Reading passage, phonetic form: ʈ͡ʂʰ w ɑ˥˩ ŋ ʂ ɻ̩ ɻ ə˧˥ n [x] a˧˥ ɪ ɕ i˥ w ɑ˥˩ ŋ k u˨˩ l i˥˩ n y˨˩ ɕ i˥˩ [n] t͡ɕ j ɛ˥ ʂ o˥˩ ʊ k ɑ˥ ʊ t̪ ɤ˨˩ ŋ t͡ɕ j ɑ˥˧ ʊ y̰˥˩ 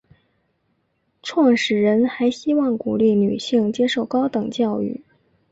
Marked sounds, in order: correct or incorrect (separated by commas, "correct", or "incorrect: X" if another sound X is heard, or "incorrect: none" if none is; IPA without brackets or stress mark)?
correct, incorrect: ŋ